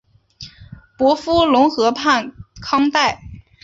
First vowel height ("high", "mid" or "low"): mid